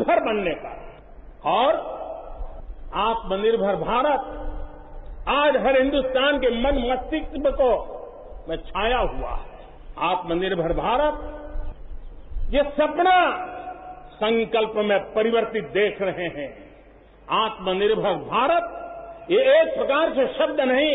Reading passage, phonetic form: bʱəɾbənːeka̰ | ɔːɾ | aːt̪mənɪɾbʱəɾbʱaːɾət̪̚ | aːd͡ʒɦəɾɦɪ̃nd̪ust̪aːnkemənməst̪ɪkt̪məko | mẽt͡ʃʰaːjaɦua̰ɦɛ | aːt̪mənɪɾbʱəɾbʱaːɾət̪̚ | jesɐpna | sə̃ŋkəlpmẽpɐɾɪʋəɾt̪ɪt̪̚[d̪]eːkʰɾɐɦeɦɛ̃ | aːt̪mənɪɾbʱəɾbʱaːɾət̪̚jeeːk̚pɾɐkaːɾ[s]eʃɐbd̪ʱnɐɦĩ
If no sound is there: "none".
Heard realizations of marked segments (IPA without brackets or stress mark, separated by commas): d̪, s